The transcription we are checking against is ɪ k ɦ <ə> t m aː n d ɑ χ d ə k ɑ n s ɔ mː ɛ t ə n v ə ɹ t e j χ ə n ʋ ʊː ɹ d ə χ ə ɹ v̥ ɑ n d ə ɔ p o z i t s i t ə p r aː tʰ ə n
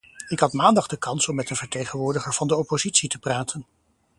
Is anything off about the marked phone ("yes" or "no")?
yes